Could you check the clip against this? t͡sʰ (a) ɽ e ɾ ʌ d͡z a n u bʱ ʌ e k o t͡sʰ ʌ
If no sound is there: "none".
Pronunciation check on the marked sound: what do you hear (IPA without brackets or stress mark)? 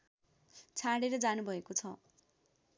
a